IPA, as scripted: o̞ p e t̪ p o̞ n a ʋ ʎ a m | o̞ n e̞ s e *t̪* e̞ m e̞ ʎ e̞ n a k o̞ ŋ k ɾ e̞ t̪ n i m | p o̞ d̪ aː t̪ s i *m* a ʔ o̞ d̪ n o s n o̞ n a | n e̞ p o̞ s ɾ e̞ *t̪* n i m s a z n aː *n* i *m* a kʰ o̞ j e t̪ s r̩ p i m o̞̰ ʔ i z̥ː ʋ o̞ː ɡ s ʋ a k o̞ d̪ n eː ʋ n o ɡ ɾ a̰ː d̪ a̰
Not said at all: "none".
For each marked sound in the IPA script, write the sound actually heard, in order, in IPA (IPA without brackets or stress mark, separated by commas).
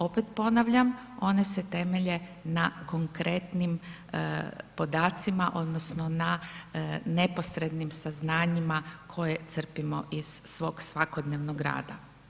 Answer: t̪, m, d̪, ɲ, m